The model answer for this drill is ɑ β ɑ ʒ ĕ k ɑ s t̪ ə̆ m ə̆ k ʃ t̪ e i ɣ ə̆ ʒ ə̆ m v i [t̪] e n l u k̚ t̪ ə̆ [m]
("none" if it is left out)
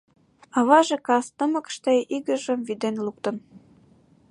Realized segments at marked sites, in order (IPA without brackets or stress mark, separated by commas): d̪, n